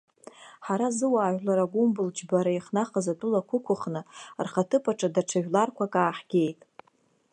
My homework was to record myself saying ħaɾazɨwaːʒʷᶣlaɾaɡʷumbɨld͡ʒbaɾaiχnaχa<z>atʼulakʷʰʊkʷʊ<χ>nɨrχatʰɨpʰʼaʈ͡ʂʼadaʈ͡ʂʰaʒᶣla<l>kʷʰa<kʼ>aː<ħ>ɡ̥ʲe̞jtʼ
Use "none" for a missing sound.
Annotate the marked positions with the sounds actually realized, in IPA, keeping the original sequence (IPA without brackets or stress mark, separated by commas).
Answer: z, χ, r, kʼ, ħ